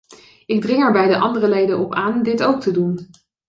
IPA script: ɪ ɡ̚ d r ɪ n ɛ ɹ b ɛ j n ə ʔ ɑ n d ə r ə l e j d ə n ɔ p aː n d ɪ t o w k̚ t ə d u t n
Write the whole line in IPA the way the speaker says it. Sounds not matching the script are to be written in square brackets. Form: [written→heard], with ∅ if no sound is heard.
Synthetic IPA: ɪ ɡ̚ d r ɪ [n→ŋ] ɛ ɹ b ɛ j [n→d] ə ʔ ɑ n d ə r ə l e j d ə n ɔ p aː n d ɪ t o w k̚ t ə d u [t→∅] n